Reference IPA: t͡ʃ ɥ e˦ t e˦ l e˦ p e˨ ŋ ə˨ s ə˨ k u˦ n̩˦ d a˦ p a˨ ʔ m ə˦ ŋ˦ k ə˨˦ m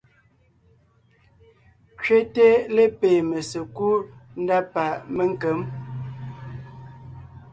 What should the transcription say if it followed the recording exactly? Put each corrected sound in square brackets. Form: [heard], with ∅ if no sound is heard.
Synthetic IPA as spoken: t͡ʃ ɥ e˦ t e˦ l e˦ p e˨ [m] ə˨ s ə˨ k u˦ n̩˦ d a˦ p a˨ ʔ m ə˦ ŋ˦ k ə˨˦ m